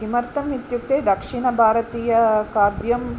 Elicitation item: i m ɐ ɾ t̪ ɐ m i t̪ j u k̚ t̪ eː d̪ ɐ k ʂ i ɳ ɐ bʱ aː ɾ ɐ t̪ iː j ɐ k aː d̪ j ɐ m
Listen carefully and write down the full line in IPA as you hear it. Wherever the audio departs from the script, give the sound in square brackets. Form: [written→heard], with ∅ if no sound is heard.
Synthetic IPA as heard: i m ɐ ɾ t̪ ɐ m i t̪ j u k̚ t̪ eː d̪ ɐ k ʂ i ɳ ɐ bʱ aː ɾ ɐ t̪ iː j ɐ k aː d̪ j ɐ m